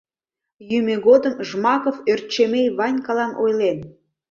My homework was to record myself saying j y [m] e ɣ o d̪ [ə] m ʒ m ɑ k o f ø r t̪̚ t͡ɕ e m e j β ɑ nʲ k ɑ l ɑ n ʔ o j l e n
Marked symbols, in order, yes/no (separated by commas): yes, yes